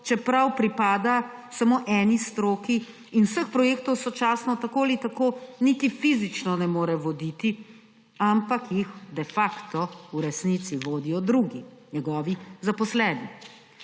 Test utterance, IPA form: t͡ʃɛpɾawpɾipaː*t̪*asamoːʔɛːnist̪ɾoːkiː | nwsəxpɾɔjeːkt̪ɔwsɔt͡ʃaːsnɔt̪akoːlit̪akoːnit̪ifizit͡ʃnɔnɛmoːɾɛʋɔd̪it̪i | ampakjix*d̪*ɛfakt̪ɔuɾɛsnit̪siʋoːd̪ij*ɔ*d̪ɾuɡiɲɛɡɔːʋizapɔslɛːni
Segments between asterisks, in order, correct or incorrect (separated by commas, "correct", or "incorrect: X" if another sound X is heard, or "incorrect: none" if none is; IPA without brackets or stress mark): incorrect: d̪, correct, correct